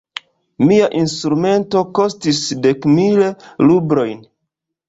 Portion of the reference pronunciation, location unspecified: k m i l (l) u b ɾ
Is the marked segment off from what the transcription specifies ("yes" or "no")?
no